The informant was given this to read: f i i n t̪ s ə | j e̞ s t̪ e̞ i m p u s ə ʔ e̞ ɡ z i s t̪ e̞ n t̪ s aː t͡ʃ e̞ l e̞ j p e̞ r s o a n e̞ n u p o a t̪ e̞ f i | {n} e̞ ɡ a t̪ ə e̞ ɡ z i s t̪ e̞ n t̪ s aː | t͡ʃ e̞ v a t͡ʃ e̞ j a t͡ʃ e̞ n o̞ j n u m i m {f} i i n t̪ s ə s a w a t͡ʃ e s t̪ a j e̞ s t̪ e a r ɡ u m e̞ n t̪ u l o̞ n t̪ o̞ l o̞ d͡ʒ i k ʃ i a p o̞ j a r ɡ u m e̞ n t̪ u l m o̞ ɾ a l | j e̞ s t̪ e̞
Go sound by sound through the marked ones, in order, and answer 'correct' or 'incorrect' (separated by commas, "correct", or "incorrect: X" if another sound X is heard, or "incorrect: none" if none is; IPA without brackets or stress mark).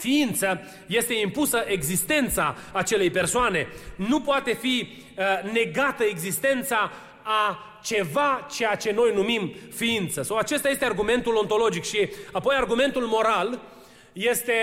correct, correct